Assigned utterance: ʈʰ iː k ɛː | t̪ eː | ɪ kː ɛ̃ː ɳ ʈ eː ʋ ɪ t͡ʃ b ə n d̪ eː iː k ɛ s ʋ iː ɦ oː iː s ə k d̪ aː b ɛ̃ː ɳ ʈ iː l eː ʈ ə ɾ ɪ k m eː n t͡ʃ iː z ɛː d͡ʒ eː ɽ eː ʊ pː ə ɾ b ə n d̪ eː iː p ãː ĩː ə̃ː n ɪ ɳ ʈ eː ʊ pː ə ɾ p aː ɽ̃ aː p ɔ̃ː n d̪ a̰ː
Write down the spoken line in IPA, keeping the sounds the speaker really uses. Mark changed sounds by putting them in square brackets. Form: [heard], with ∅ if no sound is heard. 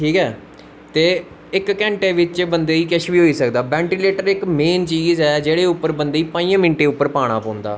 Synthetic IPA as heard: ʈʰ iː k ɛː | t̪ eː | ɪ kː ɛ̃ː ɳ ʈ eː ʋ ɪ t͡ʃ b ə n d̪ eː iː k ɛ [ʃ] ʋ iː ɦ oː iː s ə k d̪ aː b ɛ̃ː ɳ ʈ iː l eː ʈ ə ɾ ɪ k m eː n t͡ʃ iː z ɛː d͡ʒ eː ɽ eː ʊ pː ə ɾ b ə n d̪ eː iː p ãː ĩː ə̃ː [m] ɪ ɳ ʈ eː ʊ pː ə ɾ p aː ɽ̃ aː p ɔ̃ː n d̪ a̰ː

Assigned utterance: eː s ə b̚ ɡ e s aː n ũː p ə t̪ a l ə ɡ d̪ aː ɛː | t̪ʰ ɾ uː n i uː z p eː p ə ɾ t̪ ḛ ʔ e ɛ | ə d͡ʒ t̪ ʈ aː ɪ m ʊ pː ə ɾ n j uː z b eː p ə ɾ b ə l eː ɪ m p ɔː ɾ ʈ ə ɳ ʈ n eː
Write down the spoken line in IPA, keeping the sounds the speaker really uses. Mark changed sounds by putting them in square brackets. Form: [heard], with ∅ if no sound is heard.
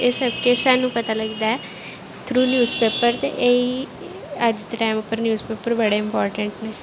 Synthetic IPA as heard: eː s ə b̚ [k] e s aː n ũː p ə t̪ a l ə ɡ d̪ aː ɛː | t̪ʰ ɾ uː n [j] uː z p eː p ə ɾ t̪ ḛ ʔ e [i] | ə d͡ʒ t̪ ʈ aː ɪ m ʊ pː ə ɾ n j uː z [p] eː p ə ɾ b ə [ɽ] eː ɪ m p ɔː ɾ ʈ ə ɳ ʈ n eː

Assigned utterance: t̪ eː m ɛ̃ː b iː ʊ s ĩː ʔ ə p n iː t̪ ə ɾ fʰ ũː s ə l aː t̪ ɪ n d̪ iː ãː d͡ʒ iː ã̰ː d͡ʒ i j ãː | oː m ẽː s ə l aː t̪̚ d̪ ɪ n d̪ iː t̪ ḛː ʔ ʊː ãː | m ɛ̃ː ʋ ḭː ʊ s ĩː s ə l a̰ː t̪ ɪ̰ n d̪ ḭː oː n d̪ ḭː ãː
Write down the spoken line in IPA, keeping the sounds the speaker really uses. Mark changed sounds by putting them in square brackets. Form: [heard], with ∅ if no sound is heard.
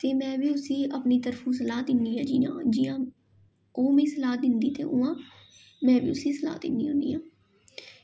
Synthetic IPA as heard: t̪ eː m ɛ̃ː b iː ʊ s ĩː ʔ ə p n iː t̪ ə ɾ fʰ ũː s ə l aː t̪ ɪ n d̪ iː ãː d͡ʒ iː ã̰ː d͡ʒ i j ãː | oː m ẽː s ə l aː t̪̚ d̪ ɪ n d̪ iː t̪ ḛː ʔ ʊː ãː | m ɛ̃ː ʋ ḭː ʊ s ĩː s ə l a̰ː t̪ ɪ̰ n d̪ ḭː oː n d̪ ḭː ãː

